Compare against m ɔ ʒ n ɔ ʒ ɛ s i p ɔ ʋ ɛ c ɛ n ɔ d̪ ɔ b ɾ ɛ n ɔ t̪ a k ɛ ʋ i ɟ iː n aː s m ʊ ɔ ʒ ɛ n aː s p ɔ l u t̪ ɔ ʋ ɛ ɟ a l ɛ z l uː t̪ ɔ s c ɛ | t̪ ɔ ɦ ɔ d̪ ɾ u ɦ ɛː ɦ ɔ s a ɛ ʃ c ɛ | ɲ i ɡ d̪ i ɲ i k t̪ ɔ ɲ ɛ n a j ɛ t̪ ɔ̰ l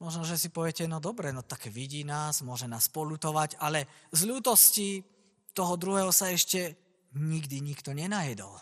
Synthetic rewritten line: m ɔ ʒ n ɔ ʒ ɛ s i p ɔ ʋ ɛ c ɛ n ɔ d̪ ɔ b ɾ ɛ n ɔ t̪ a k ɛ ʋ i ɟ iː n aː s m ʊ ɔ ʒ ɛ n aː s p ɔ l u t̪ ɔ ʋ a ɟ a l ɛ z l uː t̪ ɔ s c i | t̪ ɔ ɦ ɔ d̪ ɾ u ɦ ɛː ɦ ɔ s a ɛ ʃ c ɛ | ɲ i ɡ d̪ i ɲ i k t̪ ɔ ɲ ɛ n a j ɛ d̪ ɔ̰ l